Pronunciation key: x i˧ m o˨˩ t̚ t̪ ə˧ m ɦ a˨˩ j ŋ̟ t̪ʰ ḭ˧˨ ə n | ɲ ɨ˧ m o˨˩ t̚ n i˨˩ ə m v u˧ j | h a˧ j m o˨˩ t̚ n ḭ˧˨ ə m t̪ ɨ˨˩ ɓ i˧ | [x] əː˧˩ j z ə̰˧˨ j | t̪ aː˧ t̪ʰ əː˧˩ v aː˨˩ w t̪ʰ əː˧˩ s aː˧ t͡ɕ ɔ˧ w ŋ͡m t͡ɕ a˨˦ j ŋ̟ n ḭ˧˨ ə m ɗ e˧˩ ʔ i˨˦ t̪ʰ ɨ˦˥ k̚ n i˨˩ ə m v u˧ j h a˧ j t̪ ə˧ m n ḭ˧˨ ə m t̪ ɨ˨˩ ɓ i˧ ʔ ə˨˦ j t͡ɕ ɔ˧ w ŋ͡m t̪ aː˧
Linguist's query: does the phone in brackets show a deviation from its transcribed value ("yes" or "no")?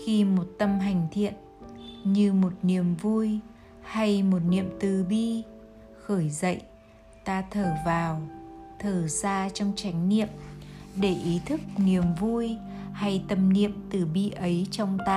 no